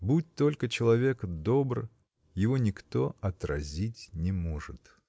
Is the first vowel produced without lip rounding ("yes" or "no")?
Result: no